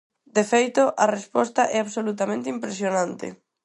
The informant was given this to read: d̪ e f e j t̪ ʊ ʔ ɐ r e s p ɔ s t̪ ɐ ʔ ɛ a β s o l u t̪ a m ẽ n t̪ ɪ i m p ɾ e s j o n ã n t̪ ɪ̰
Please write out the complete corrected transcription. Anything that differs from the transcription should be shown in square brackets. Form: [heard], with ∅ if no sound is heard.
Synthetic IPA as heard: d̪ e f e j t̪ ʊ ʔ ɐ r e s p ɔ s t̪ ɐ ʔ ɛ a β s o l u t̪ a m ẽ n t̪ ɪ i m p ɾ e s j o n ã n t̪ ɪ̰